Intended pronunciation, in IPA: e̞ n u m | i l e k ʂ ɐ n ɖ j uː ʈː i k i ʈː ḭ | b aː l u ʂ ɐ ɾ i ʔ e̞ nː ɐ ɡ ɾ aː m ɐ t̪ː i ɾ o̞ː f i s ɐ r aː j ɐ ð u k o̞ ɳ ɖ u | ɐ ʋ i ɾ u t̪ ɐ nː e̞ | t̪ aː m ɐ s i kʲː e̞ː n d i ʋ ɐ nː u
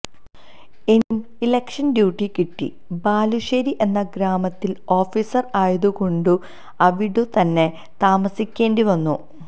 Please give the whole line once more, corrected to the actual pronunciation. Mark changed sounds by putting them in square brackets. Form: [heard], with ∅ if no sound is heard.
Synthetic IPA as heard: e̞ n u m | i l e k ʂ ɐ n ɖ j uː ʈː i k i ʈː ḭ | b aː l u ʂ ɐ ɾ i ʔ e̞ nː ɐ ɡ ɾ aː m ɐ t̪ː i [l] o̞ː f i s ɐ r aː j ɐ ð u k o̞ ɳ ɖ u | ɐ ʋ i [ɽ] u t̪ ɐ nː e̞ | t̪ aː m ɐ s i kʲː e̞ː n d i ʋ ɐ nː u

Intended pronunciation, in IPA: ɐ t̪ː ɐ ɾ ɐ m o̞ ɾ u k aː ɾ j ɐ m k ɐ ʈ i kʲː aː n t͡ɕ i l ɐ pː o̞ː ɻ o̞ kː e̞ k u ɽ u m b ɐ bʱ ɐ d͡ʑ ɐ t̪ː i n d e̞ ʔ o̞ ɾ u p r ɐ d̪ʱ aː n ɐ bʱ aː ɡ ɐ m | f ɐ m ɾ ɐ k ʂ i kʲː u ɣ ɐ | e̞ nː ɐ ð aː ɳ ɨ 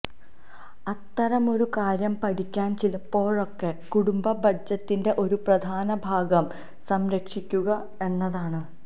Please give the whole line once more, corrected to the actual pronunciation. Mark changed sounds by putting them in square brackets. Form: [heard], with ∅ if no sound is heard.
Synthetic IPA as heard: ɐ t̪ː ɐ ɾ ɐ m o̞ ɾ u k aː ɾ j ɐ m [p] ɐ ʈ i kʲː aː n t͡ɕ i l ɐ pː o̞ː ɻ o̞ kː e̞ k u ɽ u m b ɐ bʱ ɐ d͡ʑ ɐ t̪ː i n d e̞ ʔ o̞ ɾ u p r ɐ d̪ʱ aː n ɐ bʱ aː ɡ ɐ m | [s] ɐ m ɾ ɐ k ʂ i kʲː u ɣ ɐ | e̞ nː ɐ ð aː ɳ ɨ

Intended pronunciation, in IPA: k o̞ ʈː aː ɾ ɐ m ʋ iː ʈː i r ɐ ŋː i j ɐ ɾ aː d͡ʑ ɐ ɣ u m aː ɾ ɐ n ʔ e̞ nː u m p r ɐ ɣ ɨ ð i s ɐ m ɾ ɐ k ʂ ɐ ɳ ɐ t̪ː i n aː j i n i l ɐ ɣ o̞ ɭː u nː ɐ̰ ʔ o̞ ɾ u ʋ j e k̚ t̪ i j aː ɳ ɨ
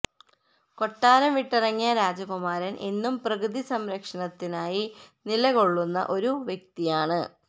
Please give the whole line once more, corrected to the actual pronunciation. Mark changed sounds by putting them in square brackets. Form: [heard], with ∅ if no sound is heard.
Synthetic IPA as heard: k o̞ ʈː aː ɾ ɐ m ʋ [i] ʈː i r ɐ ŋː i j ɐ ɾ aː d͡ʑ ɐ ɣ u m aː ɾ ɐ n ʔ e̞ nː u m p r ɐ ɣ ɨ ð i s ɐ m ɾ ɐ k ʂ ɐ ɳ ɐ t̪ː i n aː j i n i l ɐ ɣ o̞ ɭː u nː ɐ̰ ʔ o̞ ɾ u ʋ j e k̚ t̪ i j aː ɳ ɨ

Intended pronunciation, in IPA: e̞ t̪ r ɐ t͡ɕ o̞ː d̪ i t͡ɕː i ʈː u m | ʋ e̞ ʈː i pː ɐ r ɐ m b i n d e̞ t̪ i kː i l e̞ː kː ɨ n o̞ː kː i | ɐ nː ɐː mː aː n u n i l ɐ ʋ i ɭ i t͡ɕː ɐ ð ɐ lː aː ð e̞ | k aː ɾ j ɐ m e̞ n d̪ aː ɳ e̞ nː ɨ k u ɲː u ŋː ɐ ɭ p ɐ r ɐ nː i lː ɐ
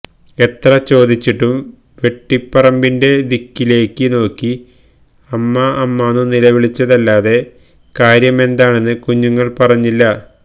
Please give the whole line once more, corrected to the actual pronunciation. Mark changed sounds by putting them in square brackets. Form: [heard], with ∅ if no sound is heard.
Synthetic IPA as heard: e̞ t̪ r ɐ t͡ɕ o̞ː d̪ i t͡ɕː i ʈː u m | ʋ e̞ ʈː i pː ɐ r ɐ m b i n d e̞ [d̪] i kː i l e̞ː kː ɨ n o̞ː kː i | ɐ [mː] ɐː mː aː n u n i l ɐ ʋ i ɭ i t͡ɕː ɐ ð ɐ lː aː ð e̞ | k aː ɾ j ɐ m e̞ n d̪ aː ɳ e̞ nː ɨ k u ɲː u ŋː ɐ ɭ p ɐ r ɐ [ɲː] i lː ɐ

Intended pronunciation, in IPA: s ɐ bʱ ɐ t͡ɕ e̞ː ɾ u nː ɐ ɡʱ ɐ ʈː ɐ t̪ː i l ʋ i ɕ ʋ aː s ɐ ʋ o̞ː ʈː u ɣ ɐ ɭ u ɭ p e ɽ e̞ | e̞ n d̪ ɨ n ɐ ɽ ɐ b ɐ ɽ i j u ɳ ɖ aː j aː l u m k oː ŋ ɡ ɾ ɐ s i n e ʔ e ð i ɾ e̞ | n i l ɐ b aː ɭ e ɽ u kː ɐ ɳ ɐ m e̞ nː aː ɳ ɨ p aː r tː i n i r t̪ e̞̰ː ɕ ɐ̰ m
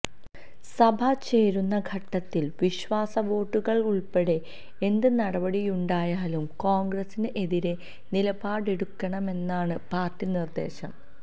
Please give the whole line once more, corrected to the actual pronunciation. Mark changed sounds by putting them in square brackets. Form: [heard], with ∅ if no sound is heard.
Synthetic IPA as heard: s ɐ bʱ ɐ t͡ɕ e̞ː ɾ u nː ɐ ɡʱ ɐ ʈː ɐ t̪ː i l ʋ i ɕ ʋ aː s ɐ ʋ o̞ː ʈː u ɣ ɐ ɭ u ɭ p e ɽ e̞ | e̞ n d̪ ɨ n ɐ ɽ ɐ b ɐ ɽ i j u ɳ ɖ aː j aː l u m k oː ŋ ɡ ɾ ɐ s i n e ʔ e ð i ɾ e̞ | n i l ɐ b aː [ɽ] e ɽ u kː ɐ ɳ ɐ m e̞ nː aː ɳ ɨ p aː r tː i n i r [d̪] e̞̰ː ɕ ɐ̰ m

